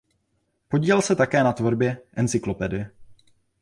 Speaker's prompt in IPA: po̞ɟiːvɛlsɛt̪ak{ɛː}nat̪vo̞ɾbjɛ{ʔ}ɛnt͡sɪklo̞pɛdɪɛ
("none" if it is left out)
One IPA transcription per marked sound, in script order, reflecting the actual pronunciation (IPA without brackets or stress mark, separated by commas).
ɛː, ʔ